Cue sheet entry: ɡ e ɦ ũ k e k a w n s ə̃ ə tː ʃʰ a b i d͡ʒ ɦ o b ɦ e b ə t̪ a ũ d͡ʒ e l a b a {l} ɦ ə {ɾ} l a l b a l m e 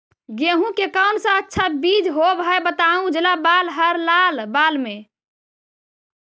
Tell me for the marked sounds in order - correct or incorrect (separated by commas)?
correct, correct